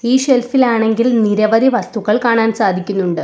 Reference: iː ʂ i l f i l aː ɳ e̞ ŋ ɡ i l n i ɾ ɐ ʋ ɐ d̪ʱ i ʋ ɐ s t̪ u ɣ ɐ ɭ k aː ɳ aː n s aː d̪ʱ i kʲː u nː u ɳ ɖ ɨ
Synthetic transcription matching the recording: iː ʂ e l f i l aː ɳ e̞ ŋ ɡ i l n i ɾ ɐ ʋ ɐ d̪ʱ i ʋ ɐ s t̪ u ɣ ɐ ɭ k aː ɳ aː n s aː d̪ʱ i kʲː u nː u ɳ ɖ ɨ